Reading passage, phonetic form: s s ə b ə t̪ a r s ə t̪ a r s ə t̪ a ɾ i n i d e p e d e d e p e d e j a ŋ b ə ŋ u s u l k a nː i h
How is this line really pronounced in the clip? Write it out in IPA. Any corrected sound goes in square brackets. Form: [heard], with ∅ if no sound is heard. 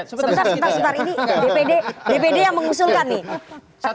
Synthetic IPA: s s ə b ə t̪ a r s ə t̪ a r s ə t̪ a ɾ i n i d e p e d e d e p e d e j a ŋ [m] ə ŋ u s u l k a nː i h

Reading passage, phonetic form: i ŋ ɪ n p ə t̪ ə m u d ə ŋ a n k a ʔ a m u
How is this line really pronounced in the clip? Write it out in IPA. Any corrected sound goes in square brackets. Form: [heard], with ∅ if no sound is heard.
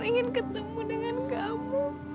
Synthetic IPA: i ŋ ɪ n [k] ə t̪ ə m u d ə ŋ a n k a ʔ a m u

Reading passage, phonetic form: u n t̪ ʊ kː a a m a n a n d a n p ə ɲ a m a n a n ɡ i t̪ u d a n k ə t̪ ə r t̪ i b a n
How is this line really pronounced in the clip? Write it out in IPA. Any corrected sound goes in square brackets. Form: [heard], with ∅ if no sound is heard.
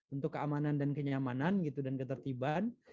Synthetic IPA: u n t̪ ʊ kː [ə] a m a n a n d a n [k] ə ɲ a m a n a n ɡ i t̪ u d a n k ə t̪ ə r t̪ i b a n

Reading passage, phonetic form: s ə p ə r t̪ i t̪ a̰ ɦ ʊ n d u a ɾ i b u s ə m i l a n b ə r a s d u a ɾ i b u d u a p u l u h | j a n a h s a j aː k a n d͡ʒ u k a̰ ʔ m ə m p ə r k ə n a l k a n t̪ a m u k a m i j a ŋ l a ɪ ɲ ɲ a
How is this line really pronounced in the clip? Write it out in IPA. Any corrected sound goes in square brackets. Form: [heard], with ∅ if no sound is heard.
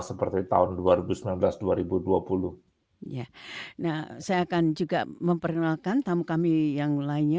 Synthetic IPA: s ə p ə r t̪ i t̪ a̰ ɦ ʊ n d u a ɾ i b u s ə m i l a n b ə [l] a s d u a ɾ i b u d u a p u l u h | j a n a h s a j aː k a n d͡ʒ u [ɡ] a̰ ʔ m ə m p ə r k ə n a l k a n t̪ a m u k a m i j a ŋ l a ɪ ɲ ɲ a

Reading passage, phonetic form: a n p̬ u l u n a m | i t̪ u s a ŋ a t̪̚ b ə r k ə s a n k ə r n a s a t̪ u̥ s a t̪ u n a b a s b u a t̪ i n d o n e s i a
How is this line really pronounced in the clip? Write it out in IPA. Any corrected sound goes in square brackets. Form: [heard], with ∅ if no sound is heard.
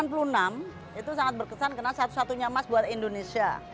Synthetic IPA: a n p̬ u l u n a m | i t̪ u s a ŋ a t̪̚ b ə r k ə s a n k ə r n a s a t̪ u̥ s a t̪ u [ɲ] a [m] a s b u a t̪ i n d o n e s i a

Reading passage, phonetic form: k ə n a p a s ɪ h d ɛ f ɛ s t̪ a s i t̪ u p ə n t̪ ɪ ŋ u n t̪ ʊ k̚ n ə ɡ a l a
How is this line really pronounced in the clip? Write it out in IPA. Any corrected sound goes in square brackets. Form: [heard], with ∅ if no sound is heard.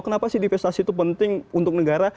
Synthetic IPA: k ə n a p a s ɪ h d [i] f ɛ s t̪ a s i t̪ u p ə n t̪ ɪ ŋ u n t̪ ʊ k̚ n ə ɡ a [ɾ] a

